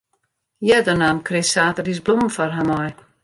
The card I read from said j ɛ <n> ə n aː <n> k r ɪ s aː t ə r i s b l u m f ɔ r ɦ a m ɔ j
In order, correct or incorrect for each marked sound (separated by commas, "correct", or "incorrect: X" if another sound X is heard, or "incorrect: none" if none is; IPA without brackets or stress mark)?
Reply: incorrect: d, incorrect: m